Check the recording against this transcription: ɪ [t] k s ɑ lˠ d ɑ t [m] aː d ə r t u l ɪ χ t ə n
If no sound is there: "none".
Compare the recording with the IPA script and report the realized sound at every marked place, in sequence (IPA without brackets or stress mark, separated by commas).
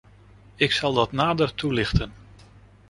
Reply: none, n